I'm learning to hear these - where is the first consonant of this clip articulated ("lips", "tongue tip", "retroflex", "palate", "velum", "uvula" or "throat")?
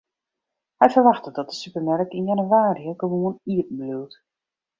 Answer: throat